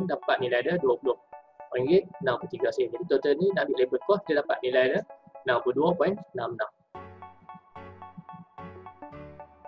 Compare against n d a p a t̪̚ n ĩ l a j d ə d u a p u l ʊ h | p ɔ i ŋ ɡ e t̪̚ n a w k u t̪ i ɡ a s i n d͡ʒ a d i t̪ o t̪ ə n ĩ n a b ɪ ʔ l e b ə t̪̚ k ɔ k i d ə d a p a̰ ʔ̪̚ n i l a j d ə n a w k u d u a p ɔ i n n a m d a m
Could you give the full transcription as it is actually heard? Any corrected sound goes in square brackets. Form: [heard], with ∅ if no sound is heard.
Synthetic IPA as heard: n d a p a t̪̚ n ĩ l a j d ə d u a p u l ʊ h | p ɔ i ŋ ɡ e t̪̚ n a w k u t̪ i ɡ a s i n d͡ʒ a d i t̪ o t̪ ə n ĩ n a b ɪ ʔ l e b ə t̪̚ k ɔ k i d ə d a p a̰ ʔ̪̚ n i l a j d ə n a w k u d u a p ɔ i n n a m [n] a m